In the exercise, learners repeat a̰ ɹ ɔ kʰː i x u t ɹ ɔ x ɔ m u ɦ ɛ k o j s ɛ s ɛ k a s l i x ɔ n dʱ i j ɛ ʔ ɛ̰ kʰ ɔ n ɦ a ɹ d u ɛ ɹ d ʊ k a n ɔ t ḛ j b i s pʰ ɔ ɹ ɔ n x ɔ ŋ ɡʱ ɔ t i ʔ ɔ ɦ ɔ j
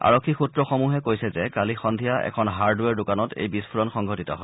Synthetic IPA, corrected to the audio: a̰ ɹ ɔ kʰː i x u t ɹ ɔ x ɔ m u ɦ ɛ k o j s ɛ z ɛ k a l i x ɔ n dʱ i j a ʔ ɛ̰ kʰ ɔ n ɦ a ɹ d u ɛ ɹ d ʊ k a n ɔ t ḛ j b i s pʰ u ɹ ɔ n x ɔ ŋ ɡʱ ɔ t i t ɔ ɦ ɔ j